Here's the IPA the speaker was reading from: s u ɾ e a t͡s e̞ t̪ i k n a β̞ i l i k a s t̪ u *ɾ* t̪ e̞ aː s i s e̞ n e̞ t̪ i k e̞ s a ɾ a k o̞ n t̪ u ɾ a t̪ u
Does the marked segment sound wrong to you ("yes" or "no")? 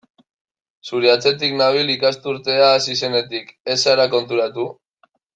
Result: no